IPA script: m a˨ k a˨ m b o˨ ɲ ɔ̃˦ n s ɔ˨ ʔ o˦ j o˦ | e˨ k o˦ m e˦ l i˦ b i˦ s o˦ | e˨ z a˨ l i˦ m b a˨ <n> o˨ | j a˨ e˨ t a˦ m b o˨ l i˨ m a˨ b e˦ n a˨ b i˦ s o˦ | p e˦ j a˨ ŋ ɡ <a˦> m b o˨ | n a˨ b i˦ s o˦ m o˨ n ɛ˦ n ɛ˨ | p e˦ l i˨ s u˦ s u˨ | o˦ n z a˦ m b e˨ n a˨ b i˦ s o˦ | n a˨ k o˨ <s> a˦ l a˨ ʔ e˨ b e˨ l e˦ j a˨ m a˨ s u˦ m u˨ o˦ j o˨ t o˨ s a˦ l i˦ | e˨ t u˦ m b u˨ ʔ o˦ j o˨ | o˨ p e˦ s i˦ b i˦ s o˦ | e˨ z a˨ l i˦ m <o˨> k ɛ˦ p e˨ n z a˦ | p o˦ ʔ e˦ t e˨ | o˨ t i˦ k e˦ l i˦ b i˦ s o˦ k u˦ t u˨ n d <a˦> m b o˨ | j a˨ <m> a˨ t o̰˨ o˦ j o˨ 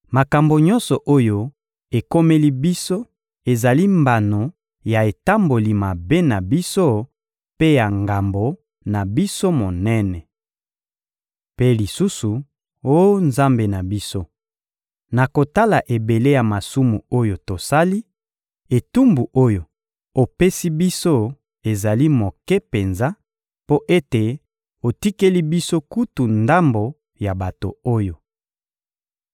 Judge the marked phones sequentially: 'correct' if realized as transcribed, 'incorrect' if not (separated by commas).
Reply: correct, incorrect, incorrect, correct, correct, incorrect